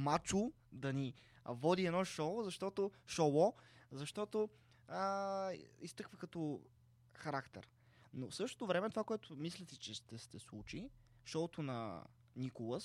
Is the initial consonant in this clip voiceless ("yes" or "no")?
no